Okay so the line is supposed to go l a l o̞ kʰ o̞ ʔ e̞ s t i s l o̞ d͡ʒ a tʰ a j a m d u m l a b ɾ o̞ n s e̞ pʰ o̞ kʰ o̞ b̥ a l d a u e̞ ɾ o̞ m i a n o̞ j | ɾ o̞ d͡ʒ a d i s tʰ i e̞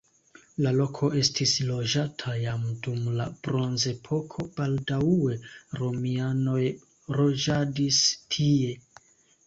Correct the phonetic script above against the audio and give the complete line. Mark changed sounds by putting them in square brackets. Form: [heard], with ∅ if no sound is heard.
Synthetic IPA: l a l o̞ kʰ o̞ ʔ e̞ s t i s l o̞ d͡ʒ a tʰ a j a m d u m l a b ɾ o̞ n [z] e̞ pʰ o̞ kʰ o̞ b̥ a l d a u e̞ ɾ o̞ m i a n o̞ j | ɾ o̞ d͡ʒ a d i s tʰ i e̞